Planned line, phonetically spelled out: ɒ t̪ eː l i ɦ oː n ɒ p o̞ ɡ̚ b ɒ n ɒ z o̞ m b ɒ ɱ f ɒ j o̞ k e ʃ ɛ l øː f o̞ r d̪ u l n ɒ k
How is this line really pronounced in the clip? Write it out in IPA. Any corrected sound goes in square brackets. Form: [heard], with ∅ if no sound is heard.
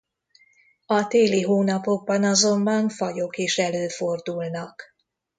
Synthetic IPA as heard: ɒ t̪ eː l i ɦ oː n ɒ p o̞ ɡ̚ b ɒ n ɒ z o̞ m b ɒ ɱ f ɒ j o̞ k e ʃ ɛ l øː f o̞ r d̪ u l n ɒ k